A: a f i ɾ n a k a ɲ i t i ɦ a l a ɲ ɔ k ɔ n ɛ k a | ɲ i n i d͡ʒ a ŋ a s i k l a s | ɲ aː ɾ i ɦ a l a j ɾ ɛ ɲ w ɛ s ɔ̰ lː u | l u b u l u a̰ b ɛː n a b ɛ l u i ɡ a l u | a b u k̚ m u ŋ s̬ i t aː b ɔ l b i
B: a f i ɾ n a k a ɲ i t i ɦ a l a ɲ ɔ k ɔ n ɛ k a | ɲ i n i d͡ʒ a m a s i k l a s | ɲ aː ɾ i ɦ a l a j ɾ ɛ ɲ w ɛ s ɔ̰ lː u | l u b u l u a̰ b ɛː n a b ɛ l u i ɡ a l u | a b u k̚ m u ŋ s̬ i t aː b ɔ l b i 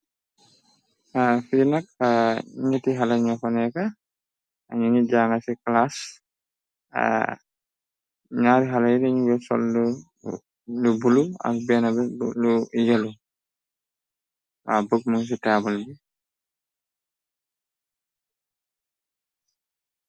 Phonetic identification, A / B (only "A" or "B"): A